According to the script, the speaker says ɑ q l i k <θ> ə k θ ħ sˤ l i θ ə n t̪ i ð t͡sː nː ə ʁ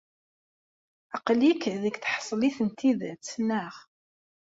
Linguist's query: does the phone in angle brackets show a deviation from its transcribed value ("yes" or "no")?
yes